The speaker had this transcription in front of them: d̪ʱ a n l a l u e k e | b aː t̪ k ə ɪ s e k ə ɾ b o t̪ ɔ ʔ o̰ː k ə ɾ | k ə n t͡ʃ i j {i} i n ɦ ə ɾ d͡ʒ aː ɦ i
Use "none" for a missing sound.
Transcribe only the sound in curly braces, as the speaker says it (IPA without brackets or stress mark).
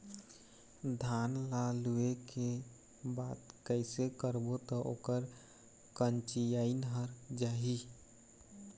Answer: a